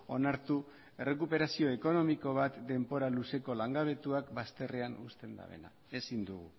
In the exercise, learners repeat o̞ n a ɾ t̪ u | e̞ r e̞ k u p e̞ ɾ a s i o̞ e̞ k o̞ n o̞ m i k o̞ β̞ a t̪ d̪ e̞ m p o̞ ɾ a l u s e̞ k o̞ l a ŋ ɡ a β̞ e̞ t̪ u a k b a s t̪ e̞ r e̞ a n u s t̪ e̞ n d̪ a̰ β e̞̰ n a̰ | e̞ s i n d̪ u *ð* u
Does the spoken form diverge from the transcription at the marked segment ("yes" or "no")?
yes